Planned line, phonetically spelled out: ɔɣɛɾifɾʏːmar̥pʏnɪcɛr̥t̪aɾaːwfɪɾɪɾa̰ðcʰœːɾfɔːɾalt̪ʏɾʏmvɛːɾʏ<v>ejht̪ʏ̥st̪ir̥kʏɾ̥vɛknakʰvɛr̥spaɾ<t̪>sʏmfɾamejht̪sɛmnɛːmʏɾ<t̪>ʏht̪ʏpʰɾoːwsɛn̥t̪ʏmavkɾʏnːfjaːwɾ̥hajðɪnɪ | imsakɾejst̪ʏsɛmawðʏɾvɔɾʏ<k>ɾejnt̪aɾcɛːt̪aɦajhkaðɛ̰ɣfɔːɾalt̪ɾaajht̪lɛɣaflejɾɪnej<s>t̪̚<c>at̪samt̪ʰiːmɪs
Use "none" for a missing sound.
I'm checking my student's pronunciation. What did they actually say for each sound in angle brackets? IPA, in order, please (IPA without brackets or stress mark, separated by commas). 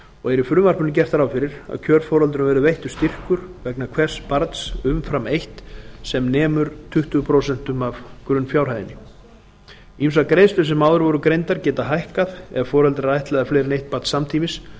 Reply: v, t̪, t̪ʰ, k, h, p